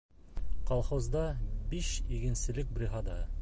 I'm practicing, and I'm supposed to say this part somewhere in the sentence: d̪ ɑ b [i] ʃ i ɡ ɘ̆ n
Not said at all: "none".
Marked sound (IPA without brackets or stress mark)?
i